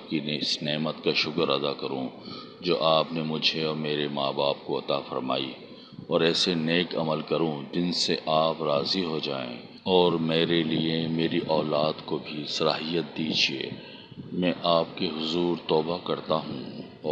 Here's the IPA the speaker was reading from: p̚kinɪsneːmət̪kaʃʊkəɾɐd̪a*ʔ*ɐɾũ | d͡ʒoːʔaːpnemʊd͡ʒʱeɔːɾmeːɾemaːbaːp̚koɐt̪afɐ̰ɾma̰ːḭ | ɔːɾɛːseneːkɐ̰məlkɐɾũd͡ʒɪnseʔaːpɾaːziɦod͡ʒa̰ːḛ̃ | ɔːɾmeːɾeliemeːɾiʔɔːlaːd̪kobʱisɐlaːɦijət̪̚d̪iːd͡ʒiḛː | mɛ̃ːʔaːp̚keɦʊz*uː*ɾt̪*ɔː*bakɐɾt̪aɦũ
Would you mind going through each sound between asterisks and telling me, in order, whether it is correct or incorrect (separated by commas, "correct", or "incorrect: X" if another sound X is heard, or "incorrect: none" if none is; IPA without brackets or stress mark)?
incorrect: k, correct, correct